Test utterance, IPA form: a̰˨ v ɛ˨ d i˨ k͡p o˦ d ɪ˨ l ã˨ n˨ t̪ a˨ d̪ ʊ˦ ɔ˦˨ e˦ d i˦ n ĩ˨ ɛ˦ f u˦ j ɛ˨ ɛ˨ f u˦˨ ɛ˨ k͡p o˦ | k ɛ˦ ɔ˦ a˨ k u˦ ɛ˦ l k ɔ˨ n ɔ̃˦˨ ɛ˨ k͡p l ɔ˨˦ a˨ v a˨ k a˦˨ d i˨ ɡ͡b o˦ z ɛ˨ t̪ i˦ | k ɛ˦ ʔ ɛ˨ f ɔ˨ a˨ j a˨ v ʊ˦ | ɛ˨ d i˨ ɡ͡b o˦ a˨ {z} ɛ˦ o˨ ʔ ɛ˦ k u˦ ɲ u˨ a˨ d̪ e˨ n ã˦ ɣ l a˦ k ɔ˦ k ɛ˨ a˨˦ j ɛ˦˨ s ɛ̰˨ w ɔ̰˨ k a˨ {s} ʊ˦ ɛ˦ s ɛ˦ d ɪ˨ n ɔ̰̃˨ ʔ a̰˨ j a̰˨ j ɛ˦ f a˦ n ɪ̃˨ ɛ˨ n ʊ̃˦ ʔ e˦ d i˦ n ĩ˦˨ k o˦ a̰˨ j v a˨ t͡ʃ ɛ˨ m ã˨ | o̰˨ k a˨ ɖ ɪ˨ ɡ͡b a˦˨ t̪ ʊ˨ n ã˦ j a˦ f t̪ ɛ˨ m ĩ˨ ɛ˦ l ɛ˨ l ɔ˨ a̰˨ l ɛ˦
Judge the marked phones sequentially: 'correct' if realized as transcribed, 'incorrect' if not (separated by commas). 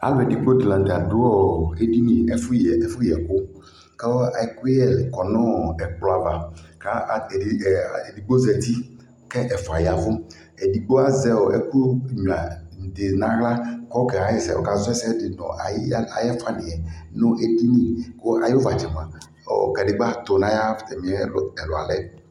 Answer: correct, incorrect